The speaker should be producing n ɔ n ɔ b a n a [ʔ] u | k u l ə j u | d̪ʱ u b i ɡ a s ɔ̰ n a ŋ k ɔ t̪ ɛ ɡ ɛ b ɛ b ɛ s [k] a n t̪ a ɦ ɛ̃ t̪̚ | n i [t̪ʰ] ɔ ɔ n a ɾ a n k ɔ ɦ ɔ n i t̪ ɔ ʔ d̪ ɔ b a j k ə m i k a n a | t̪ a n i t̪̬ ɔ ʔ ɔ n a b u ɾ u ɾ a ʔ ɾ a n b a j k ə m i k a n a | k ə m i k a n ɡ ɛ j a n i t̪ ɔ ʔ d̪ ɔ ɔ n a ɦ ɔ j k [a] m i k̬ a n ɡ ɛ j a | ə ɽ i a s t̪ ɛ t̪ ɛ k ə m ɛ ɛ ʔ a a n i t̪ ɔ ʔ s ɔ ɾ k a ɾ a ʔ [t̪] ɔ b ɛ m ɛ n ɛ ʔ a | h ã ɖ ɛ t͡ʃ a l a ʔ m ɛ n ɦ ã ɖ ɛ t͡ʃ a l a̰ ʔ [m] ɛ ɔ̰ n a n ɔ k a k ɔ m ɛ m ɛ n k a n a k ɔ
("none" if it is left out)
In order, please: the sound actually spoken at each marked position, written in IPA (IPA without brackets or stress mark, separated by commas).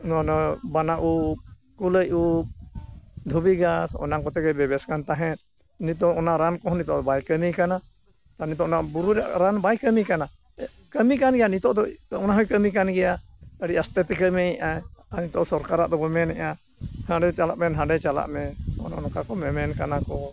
ʔ, k, t̪, ə, d̪, m